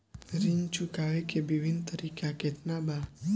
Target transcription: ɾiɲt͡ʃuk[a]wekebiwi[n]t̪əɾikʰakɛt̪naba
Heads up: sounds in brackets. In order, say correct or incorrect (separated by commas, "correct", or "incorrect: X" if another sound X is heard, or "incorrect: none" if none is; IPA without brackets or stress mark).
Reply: correct, correct